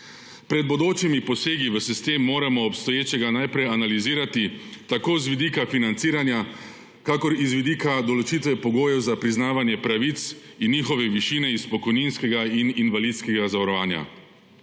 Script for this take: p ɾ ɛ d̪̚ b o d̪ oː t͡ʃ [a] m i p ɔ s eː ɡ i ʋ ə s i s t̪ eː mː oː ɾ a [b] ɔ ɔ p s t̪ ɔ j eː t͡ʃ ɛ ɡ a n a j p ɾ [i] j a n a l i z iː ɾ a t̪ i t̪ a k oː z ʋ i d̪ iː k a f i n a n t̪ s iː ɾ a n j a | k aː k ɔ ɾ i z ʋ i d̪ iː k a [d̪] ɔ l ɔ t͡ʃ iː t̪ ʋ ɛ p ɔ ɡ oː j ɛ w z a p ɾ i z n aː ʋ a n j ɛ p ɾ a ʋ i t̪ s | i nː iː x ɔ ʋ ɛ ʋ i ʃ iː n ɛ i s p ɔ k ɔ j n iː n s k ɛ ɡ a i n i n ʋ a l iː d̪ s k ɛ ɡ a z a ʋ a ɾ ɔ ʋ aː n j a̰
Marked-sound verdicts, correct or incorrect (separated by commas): incorrect, incorrect, incorrect, correct